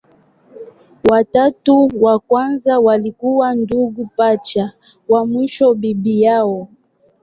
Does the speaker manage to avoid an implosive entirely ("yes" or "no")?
yes